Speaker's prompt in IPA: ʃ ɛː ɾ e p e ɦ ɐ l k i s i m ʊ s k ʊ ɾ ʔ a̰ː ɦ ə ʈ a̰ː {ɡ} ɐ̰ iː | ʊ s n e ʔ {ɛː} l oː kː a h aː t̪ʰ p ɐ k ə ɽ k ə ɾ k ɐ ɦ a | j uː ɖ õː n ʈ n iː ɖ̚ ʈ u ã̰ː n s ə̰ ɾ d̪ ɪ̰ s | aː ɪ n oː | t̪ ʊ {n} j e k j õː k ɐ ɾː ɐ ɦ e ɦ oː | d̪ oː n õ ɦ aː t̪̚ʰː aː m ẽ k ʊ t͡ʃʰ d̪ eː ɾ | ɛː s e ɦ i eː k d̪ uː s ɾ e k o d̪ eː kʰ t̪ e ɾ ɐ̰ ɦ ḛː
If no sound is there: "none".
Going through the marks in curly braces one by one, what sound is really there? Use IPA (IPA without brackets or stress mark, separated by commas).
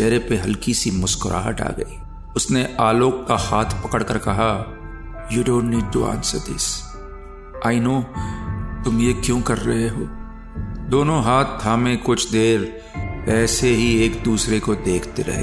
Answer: ɡ, aː, m